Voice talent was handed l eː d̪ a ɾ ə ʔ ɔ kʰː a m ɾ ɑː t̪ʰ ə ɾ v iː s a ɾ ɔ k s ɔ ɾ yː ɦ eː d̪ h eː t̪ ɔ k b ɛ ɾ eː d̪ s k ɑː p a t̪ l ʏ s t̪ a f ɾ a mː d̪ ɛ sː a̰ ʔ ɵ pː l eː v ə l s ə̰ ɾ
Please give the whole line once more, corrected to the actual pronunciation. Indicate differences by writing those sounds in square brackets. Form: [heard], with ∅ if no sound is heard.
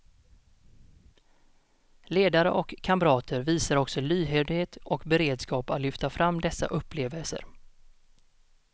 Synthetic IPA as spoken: l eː d̪ a ɾ ə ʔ ɔ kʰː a m ɾ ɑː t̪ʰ ə ɾ v iː s a ɾ ɔ k s ɔ [l] yː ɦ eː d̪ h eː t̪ ɔ k b ɛ ɾ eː d̪ s k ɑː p a t̪ l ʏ [f] t̪ a f ɾ a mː d̪ ɛ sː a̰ ʔ ɵ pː l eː v ə l s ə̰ ɾ

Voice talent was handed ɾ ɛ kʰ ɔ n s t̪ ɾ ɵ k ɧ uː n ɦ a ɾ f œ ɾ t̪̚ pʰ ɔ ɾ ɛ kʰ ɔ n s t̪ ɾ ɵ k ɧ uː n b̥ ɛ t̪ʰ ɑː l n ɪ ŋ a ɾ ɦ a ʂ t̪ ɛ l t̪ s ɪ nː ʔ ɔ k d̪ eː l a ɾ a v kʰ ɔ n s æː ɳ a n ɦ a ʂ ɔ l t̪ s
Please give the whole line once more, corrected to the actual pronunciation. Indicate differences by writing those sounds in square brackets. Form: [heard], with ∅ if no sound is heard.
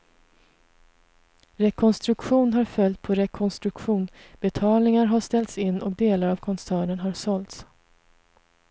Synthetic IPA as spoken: ɾ ɛ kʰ ɔ n s t̪ ɾ ɵ k ɧ uː n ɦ a ɾ f œ [l] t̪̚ pʰ ɔ ɾ ɛ kʰ ɔ n s t̪ ɾ ɵ k ɧ uː n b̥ ɛ t̪ʰ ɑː l n ɪ ŋ a ɾ ɦ a ʂ t̪ ɛ l t̪ s ɪ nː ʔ ɔ k d̪ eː l a ɾ a v kʰ ɔ n s æː ɳ [ə] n ɦ a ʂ ɔ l t̪ s

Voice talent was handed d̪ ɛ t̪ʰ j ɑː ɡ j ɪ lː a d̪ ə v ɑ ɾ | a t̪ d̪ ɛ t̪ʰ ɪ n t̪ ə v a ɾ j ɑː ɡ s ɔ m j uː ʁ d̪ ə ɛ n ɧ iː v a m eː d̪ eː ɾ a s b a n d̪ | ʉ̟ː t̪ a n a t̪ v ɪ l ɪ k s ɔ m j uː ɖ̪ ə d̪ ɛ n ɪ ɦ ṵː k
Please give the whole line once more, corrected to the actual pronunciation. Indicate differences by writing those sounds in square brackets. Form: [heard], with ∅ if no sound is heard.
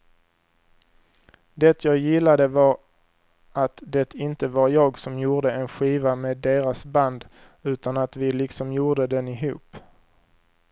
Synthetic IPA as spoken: d̪ ɛ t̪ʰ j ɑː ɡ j ɪ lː a d̪ ə v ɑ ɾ | a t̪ d̪ ɛ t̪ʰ ɪ n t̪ ə v a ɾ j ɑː ɡ s ɔ m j uː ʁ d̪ ə ɛ n ɧ iː v a m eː d̪ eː ɾ a s b a n d̪ | ʉ̟ː t̪ a n a t̪ v ɪ l ɪ k s ɔ m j uː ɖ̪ ə d̪ ɛ n ɪ ɦ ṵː [p]

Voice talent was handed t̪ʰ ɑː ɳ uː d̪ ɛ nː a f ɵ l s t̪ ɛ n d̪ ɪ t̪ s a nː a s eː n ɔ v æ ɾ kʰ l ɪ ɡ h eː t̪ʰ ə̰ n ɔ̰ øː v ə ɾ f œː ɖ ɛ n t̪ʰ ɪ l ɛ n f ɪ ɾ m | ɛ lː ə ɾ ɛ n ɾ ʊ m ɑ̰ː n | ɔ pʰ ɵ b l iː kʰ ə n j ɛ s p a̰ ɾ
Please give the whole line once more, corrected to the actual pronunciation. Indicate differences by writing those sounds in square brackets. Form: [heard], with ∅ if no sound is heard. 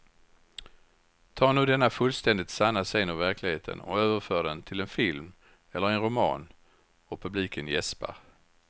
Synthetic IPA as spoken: t̪ʰ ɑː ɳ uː d̪ ɛ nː a f ɵ l s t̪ ɛ n d̪ ɪ t̪ s a nː a s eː n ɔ v æ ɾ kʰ l ɪ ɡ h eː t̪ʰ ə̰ n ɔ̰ øː v ə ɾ f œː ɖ ɛ n t̪ʰ ɪ l ɛ n f ɪ [l] m | ɛ lː ə ɾ ɛ n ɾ ʊ m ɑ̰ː n | ɔ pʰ ɵ b l iː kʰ ə n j ɛ s p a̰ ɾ

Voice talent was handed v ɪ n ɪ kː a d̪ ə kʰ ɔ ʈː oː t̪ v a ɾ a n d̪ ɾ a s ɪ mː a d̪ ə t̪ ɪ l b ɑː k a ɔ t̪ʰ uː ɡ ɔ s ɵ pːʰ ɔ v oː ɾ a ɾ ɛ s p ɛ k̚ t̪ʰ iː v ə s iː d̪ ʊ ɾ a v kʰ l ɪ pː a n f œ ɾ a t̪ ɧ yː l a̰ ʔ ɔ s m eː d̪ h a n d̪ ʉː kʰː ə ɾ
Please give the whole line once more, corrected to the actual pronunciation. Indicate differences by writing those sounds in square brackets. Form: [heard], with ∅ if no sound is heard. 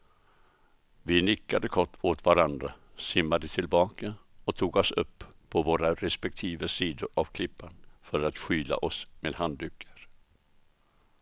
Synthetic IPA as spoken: v ɪ n ɪ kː a d̪ ə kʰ ɔ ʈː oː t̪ v a ɾ a n d̪ ɾ a s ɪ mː a d̪ ə [t̪ʰ] ɪ l b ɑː k a ɔ t̪ʰ uː ɡ ɔ s ɵ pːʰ ɔ v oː ɾ a ɾ ɛ s p ɛ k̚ t̪ʰ iː v ə s iː d̪ ʊ ɾ a v kʰ l ɪ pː a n f œ ɾ a t̪ ɧ yː l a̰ ʔ ɔ s m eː d̪ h a n d̪ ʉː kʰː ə ɾ

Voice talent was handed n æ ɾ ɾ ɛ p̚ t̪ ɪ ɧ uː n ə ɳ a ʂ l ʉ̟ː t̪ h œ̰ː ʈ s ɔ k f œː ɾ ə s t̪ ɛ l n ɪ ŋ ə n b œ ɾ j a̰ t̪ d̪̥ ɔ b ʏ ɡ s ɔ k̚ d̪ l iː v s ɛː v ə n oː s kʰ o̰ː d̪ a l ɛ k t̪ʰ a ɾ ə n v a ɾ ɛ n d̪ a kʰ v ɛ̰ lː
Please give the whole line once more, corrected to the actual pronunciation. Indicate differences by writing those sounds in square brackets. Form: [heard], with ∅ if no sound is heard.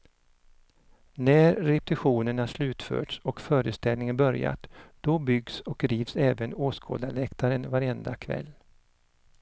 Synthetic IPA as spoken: n æ ɾ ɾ ɛ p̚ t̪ ɪ ɧ uː n ə ɳ a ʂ l ʉ̟ː t̪ [f] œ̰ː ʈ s ɔ k f œː ɾ ə s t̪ ɛ l n ɪ ŋ ə n b œ ɾ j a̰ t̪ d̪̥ ɔ b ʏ ɡ s ɔ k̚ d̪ [ɾ] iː v s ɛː v ə n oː s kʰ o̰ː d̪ a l ɛ k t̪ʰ a ɾ ə n v a ɾ ɛ n d̪ a kʰ v ɛ̰ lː

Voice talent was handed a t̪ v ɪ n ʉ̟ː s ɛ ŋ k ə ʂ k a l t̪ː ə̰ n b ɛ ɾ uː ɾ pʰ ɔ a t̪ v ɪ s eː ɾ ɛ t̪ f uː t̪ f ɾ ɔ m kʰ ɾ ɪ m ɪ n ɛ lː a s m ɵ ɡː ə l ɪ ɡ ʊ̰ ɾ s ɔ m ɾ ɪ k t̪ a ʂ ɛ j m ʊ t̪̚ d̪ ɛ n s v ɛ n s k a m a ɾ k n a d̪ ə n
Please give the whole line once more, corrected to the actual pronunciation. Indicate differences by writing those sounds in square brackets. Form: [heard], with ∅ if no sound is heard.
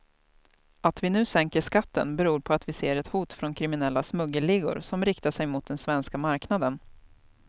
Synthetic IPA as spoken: a t̪ v ɪ n ʉ̟ː s ɛ ŋ k ə ʂ k a [∅] t̪ː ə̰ n b ɛ ɾ uː ɾ pʰ ɔ a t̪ v ɪ s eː ɾ ɛ t̪ [h] uː t̪ f ɾ ɔ [n] kʰ ɾ ɪ m ɪ n ɛ lː a s m ɵ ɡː ə l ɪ ɡ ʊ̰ ɾ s ɔ m ɾ ɪ k t̪ a ʂ ɛ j m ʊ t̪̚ d̪ ɛ n s v ɛ n s k a m a ɾ k n a d̪ ə n

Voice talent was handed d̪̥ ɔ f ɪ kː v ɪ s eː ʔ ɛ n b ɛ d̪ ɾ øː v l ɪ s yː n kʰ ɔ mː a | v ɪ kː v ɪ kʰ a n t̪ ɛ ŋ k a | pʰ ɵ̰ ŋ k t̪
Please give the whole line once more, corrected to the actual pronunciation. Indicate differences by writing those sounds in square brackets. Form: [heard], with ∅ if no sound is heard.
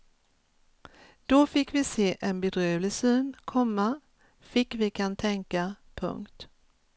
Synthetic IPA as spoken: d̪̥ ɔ f ɪ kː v ɪ s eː ʔ ɛ n b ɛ d̪ ɾ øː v l ɪ s yː n kʰ ɔ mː a | [f] ɪ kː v ɪ kʰ a n [t̪ʰ] ɛ ŋ k a | pʰ ɵ̰ ŋ k t̪

